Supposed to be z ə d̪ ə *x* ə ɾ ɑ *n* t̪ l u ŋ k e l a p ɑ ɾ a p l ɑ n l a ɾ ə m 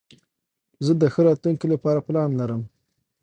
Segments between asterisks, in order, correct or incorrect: correct, incorrect

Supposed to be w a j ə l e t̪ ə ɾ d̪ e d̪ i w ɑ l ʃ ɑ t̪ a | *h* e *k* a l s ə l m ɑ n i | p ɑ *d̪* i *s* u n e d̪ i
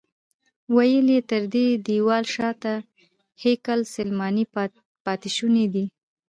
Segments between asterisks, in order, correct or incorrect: correct, correct, incorrect, incorrect

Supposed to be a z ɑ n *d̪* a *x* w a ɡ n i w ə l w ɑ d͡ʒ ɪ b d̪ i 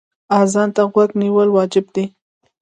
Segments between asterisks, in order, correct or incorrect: incorrect, incorrect

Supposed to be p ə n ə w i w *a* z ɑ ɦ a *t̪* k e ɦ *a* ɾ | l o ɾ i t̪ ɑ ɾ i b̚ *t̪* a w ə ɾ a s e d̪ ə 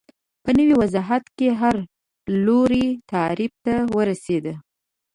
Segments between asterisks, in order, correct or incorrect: correct, correct, correct, correct

